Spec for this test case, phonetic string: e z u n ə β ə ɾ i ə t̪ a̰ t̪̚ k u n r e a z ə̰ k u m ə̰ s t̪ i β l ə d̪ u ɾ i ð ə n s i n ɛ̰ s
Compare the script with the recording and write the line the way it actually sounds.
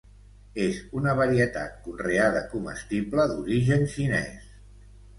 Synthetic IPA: e z u n ə β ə ɾ i ə t̪ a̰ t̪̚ k u n r e a ð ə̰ k u m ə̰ s t̪ i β l ə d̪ u ɾ i ʒ ə n ʃ i n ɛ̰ s